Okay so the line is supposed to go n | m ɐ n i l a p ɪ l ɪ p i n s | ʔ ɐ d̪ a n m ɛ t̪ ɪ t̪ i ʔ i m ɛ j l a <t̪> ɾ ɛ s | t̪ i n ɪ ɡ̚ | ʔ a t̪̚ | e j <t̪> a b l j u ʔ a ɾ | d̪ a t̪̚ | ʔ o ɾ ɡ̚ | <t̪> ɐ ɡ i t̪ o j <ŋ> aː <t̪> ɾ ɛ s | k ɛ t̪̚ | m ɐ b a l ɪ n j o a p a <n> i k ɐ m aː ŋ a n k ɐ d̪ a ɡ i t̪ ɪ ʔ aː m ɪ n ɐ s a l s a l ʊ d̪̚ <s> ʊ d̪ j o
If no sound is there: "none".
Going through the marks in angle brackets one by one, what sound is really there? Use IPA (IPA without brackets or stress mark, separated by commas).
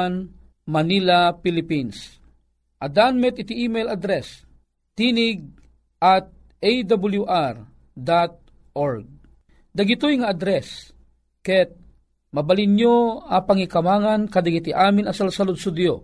d̪, d̪, d̪, ŋ, d̪, ŋ, s